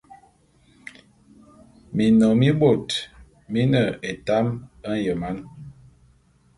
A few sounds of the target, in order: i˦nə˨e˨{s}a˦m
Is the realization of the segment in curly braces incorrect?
yes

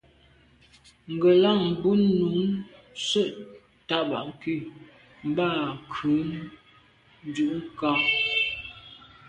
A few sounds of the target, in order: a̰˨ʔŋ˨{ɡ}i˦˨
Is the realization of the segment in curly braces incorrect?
yes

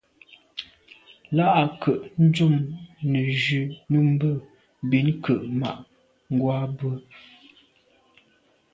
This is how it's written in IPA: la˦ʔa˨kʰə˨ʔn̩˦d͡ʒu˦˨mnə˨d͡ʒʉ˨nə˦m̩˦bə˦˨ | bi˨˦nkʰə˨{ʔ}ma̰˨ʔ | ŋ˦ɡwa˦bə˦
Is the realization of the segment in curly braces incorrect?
no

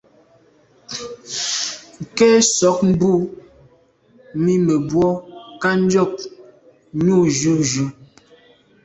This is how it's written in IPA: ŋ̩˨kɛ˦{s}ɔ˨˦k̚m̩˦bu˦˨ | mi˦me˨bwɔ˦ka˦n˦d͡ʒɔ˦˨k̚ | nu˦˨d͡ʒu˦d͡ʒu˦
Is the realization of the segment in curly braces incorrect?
no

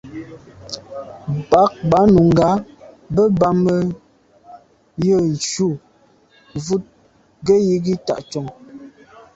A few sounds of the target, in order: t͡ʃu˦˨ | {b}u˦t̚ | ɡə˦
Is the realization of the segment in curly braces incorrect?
yes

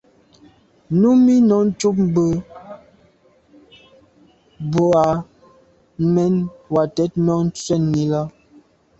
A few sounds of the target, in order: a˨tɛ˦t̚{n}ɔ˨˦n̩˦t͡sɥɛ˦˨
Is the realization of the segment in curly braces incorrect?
no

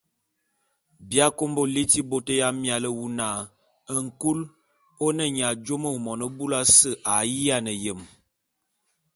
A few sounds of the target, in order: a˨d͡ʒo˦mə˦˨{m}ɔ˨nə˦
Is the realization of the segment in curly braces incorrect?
no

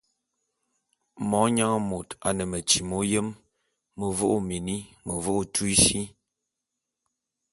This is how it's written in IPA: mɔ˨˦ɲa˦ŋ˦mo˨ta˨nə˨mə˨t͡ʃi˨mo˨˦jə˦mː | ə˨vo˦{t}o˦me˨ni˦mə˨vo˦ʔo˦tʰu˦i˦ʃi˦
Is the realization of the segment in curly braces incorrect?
yes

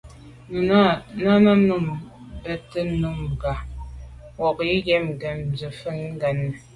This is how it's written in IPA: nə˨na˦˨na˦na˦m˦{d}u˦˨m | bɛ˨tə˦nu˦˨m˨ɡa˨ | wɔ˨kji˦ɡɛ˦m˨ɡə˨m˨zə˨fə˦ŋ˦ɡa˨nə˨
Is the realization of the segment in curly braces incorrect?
yes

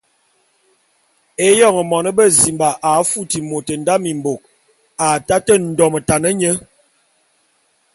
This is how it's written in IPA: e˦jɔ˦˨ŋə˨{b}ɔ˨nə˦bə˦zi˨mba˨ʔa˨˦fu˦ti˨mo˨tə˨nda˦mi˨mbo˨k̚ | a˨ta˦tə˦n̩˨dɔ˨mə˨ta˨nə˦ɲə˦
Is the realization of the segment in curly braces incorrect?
yes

